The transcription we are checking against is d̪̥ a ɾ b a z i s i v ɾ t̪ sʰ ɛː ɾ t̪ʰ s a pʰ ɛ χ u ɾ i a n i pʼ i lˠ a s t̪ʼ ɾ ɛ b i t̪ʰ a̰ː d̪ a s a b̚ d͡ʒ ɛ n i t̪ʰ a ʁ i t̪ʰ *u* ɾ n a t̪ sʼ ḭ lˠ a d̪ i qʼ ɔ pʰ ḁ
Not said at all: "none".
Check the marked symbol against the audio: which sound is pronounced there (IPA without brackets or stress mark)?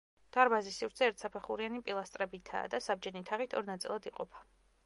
ɔ